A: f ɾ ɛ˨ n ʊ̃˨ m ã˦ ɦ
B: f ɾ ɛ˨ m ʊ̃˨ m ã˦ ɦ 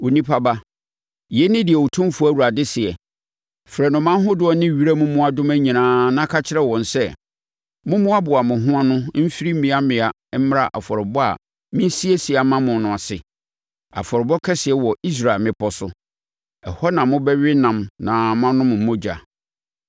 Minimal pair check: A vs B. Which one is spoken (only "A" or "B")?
A